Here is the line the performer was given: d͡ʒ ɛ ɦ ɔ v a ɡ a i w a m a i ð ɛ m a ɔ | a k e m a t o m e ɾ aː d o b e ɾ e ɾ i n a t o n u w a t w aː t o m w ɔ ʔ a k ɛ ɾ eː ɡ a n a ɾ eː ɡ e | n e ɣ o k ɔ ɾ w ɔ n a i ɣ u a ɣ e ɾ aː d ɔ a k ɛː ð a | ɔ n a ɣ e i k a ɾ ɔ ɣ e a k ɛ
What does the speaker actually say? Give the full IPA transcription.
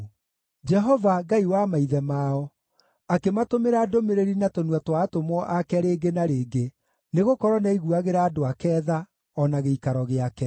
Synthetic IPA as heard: d͡ʒ ɛ ɦ ɔ v a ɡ a i w a m a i ð ɛ m a ɔ | a k e m a t o m e ɾ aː d o m e ɾ e ɾ i n a t o n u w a t w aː t o m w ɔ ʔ a k ɛ ɾ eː ɡ e n a ɾ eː ɡ e | n e ɣ o k ɔ ɾ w ɔ n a i ɣ u a ɣ e ɾ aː d o a k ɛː ð a | ɔ n a ɣ e i k a ɾ ɔ ɣ e a k ɛ